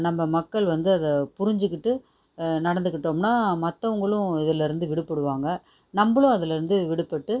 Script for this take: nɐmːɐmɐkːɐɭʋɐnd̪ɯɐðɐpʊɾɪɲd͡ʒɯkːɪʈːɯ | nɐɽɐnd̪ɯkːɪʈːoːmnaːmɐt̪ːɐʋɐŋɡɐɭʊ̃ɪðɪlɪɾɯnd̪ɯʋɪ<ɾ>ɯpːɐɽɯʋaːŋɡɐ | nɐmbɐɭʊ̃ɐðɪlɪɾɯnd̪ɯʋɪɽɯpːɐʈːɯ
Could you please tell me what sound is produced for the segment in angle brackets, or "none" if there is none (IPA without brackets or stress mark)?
ɽ